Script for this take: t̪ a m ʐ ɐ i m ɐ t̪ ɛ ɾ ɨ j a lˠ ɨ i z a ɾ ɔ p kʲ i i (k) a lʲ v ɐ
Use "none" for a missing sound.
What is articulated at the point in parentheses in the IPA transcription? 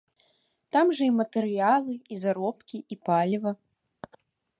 p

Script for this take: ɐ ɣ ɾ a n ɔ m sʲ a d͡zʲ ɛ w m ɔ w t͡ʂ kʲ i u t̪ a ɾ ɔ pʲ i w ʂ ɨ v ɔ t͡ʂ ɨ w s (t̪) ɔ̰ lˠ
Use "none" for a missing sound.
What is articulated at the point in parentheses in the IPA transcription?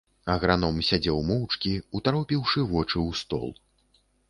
t̪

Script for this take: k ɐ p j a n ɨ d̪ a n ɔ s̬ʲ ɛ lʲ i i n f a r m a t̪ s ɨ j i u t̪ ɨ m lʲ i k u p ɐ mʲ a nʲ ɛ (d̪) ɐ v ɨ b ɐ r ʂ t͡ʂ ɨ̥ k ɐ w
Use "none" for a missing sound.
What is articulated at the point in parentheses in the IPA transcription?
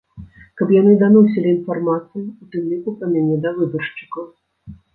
d̪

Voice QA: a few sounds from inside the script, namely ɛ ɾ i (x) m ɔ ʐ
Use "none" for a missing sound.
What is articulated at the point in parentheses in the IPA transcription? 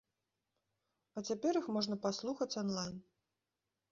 x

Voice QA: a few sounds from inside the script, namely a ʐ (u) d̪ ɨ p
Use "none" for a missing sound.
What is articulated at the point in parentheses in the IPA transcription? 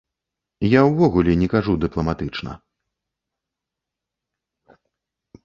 u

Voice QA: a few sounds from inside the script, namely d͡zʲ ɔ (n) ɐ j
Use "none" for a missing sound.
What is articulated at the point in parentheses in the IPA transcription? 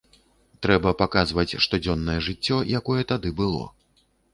nː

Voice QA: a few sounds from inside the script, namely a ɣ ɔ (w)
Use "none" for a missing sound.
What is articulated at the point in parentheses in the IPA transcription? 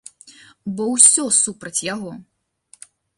none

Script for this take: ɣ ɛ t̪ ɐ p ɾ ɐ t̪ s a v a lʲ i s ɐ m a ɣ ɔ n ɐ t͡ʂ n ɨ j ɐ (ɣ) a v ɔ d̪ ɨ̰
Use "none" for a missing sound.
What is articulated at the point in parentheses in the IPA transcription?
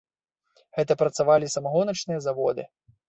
z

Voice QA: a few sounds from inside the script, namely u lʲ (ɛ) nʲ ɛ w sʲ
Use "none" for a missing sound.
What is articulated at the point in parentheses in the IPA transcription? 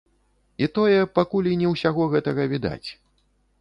i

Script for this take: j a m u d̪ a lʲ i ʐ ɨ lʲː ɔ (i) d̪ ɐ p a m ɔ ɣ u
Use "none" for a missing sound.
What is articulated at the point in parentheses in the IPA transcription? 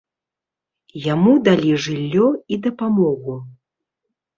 i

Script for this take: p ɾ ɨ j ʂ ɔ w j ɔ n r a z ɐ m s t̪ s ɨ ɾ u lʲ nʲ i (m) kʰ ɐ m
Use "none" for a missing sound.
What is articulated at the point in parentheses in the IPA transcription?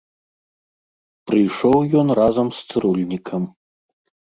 none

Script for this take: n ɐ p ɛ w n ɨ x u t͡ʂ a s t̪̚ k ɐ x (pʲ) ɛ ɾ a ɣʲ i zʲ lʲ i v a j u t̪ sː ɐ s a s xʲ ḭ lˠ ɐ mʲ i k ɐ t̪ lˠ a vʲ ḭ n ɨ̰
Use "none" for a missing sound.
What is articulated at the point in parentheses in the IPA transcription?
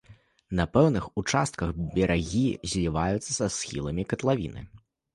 bʲ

